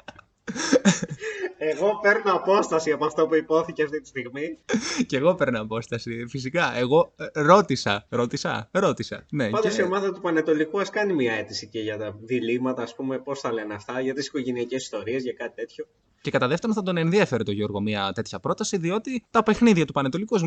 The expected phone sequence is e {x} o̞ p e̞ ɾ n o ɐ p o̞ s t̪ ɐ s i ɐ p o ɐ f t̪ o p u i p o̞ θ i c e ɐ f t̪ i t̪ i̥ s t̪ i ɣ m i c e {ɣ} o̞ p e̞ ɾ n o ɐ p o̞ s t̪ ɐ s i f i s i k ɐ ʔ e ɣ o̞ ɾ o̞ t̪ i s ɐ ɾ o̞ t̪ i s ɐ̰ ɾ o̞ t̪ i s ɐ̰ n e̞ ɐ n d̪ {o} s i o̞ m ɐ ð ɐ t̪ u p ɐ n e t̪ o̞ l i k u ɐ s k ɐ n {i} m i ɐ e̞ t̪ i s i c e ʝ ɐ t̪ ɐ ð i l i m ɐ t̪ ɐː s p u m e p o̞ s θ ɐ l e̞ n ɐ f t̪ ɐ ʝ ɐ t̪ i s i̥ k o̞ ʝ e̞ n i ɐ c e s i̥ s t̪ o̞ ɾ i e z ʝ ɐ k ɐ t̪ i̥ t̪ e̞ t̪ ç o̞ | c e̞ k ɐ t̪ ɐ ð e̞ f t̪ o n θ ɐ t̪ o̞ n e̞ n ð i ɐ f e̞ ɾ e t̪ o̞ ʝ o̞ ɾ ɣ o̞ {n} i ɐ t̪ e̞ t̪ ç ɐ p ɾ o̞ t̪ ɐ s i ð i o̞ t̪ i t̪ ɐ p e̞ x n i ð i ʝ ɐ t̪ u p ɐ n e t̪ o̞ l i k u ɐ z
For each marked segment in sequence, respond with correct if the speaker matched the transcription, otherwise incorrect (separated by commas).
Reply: incorrect, correct, correct, correct, incorrect